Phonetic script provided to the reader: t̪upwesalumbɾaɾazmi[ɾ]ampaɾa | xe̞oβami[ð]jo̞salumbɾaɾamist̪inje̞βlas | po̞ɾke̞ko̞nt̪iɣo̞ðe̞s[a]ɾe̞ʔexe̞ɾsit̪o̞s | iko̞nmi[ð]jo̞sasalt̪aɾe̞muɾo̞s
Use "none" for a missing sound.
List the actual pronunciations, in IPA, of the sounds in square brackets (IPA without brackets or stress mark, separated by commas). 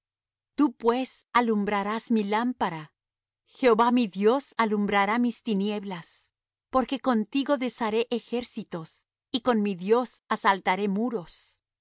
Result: l, ð, a, ð